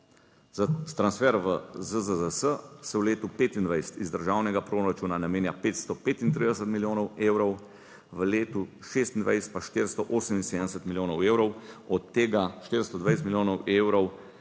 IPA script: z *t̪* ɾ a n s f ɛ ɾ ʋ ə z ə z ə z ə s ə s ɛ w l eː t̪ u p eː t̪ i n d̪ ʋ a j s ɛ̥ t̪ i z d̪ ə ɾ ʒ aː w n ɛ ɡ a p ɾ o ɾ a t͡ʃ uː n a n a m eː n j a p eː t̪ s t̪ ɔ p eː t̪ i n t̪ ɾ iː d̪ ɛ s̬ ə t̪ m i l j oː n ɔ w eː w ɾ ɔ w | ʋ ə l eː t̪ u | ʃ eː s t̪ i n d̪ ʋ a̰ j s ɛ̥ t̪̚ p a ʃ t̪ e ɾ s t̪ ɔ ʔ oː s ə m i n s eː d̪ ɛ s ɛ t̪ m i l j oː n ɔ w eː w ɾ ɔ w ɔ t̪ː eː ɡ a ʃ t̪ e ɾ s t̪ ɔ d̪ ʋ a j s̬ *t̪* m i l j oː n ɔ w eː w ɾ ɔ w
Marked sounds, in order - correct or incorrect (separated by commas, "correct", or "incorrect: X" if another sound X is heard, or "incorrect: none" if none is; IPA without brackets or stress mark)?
correct, correct